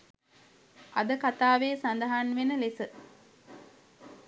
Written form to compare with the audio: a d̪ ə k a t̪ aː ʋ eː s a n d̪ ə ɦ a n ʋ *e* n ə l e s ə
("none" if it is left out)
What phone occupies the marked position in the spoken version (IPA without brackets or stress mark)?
e